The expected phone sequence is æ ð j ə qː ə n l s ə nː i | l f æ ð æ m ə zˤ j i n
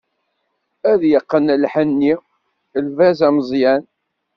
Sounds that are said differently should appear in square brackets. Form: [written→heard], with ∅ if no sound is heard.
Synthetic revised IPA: æ ð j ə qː ə n l [s→ħ] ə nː i | l [f→v] æ [ð→z] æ m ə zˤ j [i→æ] n